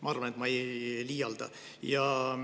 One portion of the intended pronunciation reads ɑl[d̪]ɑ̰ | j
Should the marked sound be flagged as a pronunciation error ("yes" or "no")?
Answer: no